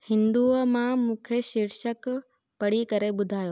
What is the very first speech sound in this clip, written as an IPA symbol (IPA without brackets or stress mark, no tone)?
h